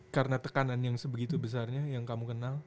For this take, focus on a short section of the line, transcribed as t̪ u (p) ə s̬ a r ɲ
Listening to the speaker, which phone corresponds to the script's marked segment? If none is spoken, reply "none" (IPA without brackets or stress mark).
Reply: b